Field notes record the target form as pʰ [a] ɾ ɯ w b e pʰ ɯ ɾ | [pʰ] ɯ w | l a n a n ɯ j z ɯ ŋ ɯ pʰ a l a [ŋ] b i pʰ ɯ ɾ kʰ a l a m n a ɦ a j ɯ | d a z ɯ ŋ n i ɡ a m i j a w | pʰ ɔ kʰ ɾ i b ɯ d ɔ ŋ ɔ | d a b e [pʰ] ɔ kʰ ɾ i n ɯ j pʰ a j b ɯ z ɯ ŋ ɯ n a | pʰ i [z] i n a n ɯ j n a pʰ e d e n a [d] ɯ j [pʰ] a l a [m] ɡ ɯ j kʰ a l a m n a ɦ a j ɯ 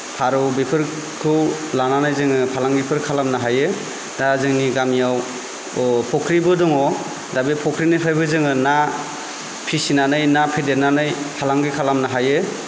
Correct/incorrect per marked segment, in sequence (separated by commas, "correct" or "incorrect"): correct, incorrect, correct, correct, incorrect, incorrect, correct, incorrect